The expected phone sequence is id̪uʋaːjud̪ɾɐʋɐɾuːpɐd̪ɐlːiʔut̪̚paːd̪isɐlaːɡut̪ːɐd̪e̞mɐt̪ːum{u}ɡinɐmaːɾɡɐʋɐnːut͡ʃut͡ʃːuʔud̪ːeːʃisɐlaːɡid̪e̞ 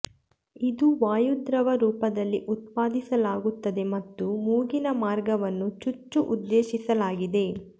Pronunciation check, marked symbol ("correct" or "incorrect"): incorrect